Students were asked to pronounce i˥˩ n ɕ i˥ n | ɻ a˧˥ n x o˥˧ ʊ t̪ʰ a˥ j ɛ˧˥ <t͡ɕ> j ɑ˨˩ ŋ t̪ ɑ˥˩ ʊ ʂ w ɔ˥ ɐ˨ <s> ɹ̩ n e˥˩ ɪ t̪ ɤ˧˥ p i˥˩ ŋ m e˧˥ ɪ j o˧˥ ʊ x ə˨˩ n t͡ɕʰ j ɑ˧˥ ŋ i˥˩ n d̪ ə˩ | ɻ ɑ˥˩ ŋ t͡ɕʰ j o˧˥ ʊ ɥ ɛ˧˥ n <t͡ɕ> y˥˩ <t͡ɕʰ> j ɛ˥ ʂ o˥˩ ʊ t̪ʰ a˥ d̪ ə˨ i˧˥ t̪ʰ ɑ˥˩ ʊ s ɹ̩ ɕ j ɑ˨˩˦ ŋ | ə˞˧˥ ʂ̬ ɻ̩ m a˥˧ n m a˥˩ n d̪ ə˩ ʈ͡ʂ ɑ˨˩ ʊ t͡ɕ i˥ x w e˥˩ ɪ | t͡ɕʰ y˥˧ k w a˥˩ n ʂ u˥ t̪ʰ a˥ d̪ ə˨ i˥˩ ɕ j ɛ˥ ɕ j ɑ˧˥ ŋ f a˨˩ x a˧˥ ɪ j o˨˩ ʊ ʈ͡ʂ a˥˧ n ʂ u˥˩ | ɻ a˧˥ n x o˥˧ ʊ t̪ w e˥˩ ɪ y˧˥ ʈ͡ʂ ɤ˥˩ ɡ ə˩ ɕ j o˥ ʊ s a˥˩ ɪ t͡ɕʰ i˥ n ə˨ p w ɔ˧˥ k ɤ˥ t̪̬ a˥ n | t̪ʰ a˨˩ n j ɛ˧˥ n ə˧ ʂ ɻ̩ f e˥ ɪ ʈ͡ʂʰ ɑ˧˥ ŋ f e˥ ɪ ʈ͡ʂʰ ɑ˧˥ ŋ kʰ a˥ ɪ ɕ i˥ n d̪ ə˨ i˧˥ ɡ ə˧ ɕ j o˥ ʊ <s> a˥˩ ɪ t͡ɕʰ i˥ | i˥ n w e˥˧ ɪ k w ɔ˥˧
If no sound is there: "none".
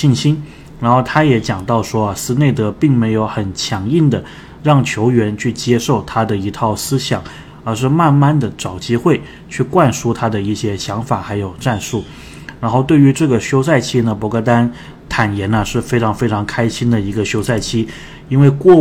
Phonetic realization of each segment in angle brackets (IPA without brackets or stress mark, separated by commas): t͡ɕ, s, t͡ɕʰ, t͡ɕ, s